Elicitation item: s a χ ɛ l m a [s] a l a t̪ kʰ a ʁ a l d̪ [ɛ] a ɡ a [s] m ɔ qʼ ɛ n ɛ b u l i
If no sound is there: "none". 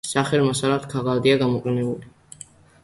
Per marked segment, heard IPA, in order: s, i, none

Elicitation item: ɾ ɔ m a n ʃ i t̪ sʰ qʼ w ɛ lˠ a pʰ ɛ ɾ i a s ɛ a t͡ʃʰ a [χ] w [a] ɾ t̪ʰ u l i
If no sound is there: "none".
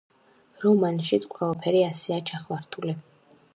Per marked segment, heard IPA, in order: χ, a

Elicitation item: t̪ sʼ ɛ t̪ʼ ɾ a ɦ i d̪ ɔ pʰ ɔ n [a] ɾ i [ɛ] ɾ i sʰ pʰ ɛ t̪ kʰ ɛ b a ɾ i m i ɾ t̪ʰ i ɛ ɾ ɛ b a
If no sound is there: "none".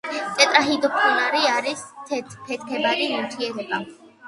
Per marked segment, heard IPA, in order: a, a

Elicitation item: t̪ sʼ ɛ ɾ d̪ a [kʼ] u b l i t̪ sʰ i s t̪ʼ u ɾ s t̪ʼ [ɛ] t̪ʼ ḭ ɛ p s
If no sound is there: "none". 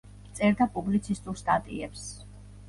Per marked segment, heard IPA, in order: pʼ, a

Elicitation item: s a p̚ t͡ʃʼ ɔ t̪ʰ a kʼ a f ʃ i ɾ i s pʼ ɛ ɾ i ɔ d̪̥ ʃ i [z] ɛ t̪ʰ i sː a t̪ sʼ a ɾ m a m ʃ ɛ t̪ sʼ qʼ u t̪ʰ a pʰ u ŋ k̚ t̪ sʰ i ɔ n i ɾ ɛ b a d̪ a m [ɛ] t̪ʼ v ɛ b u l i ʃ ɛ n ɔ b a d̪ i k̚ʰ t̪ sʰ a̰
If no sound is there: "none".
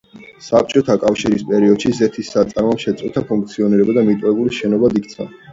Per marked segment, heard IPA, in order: z, i

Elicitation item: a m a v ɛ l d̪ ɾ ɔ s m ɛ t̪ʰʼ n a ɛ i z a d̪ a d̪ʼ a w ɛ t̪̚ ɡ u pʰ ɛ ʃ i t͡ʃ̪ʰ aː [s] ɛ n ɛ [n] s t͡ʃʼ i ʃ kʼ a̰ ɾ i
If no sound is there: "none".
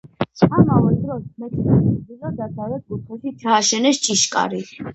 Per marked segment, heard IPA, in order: ʃ, none

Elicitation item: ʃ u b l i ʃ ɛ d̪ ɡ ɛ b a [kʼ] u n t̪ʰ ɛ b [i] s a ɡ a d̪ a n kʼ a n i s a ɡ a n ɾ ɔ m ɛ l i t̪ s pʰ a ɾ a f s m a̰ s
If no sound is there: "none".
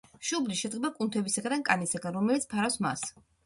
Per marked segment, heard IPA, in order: kʼ, i

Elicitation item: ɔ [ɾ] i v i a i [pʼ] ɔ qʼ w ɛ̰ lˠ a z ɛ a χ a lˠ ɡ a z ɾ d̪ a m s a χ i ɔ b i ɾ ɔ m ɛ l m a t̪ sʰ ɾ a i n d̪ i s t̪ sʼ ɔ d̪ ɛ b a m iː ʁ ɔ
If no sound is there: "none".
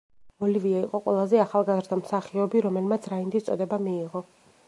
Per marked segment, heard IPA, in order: l, qʼ

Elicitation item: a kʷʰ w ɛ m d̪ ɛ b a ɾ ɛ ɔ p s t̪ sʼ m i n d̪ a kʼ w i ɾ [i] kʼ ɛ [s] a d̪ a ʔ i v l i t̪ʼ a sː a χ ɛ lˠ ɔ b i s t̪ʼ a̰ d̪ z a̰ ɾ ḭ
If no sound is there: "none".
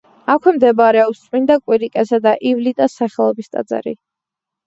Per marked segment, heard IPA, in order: i, s

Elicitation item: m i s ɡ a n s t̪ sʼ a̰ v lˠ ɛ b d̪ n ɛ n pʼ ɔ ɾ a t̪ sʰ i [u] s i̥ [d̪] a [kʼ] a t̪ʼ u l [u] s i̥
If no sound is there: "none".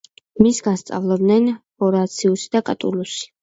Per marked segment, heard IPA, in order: u, d̪, kʼ, u

